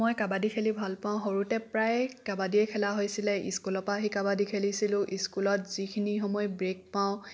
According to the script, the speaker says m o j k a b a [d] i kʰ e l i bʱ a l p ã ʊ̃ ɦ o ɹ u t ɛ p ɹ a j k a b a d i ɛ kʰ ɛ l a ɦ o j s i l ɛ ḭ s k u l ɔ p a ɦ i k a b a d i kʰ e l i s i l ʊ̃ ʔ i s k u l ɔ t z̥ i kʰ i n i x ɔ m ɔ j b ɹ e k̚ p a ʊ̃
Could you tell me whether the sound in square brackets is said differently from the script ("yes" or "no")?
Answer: no